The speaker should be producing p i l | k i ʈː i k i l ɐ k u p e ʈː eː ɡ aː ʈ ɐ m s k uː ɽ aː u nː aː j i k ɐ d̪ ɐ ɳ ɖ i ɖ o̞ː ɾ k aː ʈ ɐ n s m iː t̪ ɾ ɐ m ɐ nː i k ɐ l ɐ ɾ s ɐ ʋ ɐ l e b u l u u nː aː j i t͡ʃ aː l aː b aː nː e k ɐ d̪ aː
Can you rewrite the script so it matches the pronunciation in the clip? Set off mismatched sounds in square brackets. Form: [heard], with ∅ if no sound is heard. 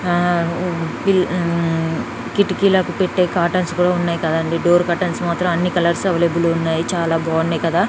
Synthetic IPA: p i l | k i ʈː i k i l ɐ k u p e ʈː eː [k] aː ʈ ɐ [n] s k uː ɽ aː u nː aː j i k ɐ d̪ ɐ ɳ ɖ i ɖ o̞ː ɾ k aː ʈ ɐ n s m [aː] t̪ ɾ ɐ m ɐ nː i k ɐ l ɐ ɾ s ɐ ʋ ɐ l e b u l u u nː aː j i t͡ʃ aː l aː b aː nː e k ɐ d̪ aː